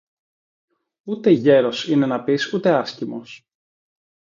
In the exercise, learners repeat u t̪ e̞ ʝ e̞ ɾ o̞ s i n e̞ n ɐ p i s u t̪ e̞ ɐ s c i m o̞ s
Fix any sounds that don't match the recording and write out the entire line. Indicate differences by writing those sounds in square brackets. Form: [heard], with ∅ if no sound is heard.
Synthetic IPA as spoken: u t̪ e̞ ʝ e̞ ɾ o̞ s i n e̞ n ɐ p i s u t̪ e̞ ɐ s c i m o̞ s

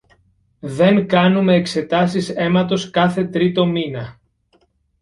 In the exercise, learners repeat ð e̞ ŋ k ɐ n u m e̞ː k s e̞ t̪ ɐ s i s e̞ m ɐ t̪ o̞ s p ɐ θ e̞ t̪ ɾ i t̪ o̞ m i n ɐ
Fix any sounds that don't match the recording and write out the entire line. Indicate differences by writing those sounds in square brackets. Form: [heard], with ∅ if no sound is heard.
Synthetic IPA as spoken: ð e̞ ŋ k ɐ n u m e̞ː k s e̞ t̪ ɐ s i s e̞ m ɐ t̪ o̞ s [k] ɐ θ e̞ t̪ ɾ i t̪ o̞ m i n ɐ

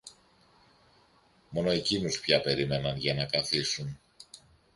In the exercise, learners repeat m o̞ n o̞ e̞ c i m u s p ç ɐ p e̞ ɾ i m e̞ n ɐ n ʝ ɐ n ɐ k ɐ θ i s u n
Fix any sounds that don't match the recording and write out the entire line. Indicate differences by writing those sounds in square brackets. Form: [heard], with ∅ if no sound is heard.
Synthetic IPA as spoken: m o̞ n o̞ e̞ c i [n] u s p ç ɐ p e̞ ɾ i m e̞ n ɐ n ʝ ɐ n ɐ k ɐ θ i s u n

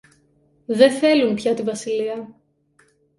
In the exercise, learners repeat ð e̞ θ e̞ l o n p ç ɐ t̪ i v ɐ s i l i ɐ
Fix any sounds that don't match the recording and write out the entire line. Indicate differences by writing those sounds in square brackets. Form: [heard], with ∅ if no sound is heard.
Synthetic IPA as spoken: ð e̞ θ e̞ l [u] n p ç ɐ t̪ i v ɐ s i l i ɐ

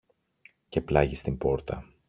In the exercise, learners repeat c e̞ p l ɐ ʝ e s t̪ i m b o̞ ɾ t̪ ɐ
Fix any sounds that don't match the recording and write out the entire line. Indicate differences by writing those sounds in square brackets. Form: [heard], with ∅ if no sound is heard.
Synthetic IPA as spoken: c e̞ p l ɐ ʝ [i] s t̪ i m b o̞ ɾ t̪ ɐ

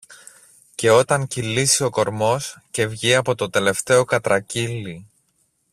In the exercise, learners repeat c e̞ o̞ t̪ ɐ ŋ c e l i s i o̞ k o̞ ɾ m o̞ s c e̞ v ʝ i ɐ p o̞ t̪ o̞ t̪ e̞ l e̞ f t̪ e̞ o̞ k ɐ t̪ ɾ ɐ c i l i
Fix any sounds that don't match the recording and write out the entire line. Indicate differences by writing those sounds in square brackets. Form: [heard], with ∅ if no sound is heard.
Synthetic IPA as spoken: c e̞ o̞ t̪ ɐ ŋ c [i] l i s i o̞ k o̞ ɾ m o̞ s c e̞ v ʝ i ɐ p o̞ t̪ o̞ t̪ e̞ l e̞ f t̪ e̞ o̞ k ɐ t̪ ɾ ɐ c i l i

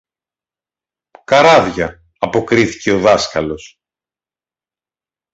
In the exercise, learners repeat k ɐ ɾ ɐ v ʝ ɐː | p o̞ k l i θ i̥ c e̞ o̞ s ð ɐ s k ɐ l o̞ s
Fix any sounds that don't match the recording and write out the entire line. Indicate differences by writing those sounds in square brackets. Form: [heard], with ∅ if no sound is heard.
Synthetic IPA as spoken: k ɐ ɾ ɐ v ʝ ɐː | p o̞ k [ɾ] i θ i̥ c e̞ o̞ [∅] ð ɐ s k ɐ l o̞ s

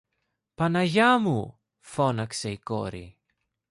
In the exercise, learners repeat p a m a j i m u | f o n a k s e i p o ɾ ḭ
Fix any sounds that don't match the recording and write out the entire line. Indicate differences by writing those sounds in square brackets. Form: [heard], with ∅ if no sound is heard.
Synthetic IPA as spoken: p a [n] a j [a] m u | f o n a k s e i [k] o ɾ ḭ

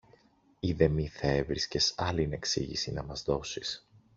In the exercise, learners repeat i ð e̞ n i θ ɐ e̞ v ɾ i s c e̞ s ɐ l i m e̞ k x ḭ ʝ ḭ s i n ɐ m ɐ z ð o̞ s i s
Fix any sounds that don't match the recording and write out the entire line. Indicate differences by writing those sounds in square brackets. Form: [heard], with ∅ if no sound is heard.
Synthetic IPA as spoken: i ð e̞ [m] i θ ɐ e̞ v ɾ i s c e̞ s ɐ l i [n] e̞ k [s] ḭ ʝ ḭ s i n ɐ m ɐ z ð o̞ s i s

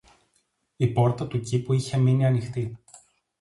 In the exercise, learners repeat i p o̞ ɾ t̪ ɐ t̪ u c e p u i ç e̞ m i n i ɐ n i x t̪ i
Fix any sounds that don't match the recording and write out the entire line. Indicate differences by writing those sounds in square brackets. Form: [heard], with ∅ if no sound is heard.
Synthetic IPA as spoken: i p o̞ ɾ t̪ ɐ t̪ u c [i] p u i ç e̞ m i n i ɐ n i x t̪ i

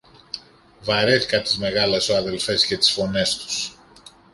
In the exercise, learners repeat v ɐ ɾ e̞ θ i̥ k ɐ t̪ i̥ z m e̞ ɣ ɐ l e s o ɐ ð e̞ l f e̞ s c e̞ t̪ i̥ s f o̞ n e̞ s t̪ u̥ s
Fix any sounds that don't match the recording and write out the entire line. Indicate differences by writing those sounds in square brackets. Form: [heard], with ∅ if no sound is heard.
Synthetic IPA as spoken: v ɐ ɾ e̞ θ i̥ k ɐ t̪ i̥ z m e̞ ɣ ɐ l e s o ɐ ð e̞ l f e̞ s c e̞ t̪ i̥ s f o̞ n e̞ s t̪ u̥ s

